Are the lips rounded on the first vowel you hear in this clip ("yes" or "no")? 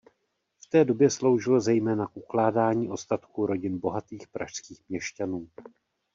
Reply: no